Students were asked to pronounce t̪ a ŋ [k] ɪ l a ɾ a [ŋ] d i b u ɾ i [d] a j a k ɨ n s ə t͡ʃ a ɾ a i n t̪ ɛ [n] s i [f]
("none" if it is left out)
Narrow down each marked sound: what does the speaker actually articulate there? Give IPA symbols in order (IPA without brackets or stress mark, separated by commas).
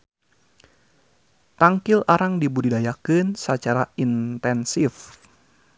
k, ŋ, d, n, f